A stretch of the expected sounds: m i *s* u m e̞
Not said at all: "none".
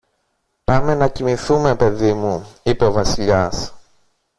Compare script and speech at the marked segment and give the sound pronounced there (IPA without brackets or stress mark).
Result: θ